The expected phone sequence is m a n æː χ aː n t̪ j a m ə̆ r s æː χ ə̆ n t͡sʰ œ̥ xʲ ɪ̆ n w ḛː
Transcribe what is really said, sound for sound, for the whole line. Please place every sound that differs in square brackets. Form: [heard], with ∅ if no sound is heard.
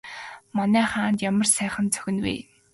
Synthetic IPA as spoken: m a n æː χ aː n t̪ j a m ə̆ r s æː χ ə̆ n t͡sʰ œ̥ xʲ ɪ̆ n w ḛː